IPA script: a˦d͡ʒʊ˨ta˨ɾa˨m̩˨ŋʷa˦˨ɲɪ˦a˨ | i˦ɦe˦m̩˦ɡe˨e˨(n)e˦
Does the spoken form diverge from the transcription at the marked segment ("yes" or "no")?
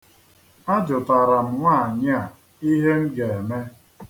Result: yes